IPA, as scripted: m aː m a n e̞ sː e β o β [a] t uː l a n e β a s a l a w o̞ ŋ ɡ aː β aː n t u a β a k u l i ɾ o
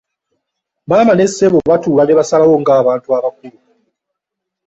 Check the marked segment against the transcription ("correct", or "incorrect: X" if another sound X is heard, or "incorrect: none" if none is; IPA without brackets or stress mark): correct